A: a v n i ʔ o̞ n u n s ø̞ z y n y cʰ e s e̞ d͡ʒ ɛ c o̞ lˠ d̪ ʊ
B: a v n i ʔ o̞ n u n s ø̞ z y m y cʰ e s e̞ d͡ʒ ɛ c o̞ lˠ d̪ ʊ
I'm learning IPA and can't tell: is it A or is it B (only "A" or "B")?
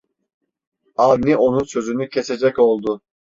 A